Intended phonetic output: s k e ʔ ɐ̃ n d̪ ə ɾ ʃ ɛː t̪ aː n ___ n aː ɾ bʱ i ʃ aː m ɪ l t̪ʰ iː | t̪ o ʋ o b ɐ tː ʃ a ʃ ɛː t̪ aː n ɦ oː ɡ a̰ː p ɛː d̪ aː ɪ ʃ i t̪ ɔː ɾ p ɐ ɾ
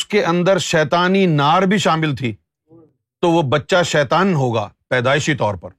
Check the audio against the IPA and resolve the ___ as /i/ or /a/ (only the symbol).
i